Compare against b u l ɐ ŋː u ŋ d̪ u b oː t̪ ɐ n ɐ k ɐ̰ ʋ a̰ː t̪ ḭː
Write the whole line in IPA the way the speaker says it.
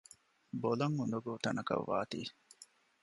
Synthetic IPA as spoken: b o l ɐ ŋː u n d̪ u ɡ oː t̪ ɐ n ɐ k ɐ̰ ʋː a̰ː t̪ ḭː